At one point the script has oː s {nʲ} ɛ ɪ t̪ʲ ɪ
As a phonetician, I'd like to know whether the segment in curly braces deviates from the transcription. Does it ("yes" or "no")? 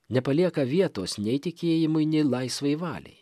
no